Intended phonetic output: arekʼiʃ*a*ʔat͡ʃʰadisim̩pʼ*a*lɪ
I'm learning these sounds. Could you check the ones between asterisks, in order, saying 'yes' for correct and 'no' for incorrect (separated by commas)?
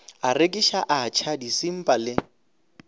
yes, yes